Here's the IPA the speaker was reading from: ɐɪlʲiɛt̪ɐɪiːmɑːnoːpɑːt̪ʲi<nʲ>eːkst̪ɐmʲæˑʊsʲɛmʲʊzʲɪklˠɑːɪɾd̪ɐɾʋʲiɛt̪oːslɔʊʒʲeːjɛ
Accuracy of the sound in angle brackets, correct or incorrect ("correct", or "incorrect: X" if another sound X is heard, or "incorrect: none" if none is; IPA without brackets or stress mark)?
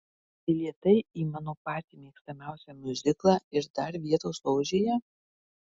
incorrect: mʲ